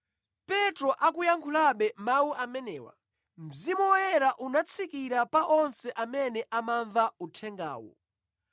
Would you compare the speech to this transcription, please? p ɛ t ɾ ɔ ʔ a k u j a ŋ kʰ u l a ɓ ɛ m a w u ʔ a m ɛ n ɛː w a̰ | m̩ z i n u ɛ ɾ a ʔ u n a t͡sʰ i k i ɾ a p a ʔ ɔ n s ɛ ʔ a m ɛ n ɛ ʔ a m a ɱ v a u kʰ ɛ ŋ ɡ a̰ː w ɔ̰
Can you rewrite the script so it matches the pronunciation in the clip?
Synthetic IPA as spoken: p ɛ t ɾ ɔ ʔ a k u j a ŋ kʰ u l a ɓ ɛ m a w u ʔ a m ɛ n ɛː w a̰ | m̩ z i m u ɛ ɾ a ʔ u n a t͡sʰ i k i ɾ a p a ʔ ɔ n s ɛ ʔ a m ɛ n ɛ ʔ a m a ɱ v a u tʰ ɛ ŋ ɡ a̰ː w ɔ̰